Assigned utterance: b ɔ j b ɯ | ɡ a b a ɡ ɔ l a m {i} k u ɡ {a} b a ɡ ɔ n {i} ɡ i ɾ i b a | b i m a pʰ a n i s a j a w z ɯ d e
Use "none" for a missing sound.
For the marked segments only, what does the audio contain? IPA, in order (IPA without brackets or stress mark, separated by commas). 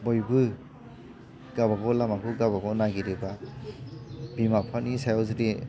a, a, a